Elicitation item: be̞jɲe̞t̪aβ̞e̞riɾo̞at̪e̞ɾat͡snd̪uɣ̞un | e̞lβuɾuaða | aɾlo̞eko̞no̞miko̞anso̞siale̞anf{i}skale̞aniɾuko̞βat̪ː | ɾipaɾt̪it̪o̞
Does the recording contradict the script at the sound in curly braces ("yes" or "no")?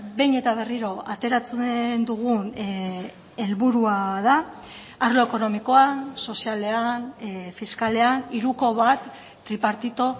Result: no